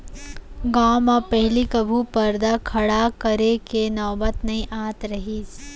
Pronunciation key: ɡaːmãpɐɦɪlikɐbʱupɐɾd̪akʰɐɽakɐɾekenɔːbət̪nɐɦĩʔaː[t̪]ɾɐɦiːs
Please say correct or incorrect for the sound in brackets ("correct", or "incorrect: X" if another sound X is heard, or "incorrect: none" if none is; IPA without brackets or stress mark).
correct